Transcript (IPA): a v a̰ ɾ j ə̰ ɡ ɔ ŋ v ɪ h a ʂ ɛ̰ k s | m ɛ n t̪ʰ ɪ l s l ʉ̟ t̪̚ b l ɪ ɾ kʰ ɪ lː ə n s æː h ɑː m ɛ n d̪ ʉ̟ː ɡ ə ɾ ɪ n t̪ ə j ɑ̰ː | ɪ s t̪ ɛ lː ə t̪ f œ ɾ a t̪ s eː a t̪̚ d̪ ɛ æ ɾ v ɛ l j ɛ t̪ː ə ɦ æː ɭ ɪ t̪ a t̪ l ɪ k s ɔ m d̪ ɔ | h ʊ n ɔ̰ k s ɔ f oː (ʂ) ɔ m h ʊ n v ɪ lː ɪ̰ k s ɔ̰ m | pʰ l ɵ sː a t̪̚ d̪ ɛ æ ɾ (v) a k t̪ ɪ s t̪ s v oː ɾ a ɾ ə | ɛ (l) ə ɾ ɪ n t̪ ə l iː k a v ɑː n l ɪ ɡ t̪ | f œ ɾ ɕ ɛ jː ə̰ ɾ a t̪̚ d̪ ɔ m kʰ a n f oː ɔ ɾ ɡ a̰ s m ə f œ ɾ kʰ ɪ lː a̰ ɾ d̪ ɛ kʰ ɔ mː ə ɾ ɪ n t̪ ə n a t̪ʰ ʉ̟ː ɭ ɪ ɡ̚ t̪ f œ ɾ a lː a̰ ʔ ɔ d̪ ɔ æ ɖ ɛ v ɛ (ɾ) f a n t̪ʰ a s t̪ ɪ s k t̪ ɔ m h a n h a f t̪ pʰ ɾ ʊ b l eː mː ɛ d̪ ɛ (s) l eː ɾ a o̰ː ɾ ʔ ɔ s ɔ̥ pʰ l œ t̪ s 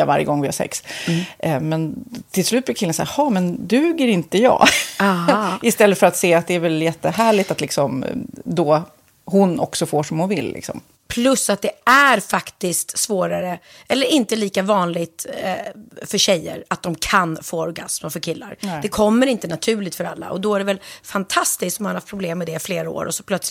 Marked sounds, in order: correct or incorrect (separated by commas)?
correct, incorrect, incorrect, incorrect, incorrect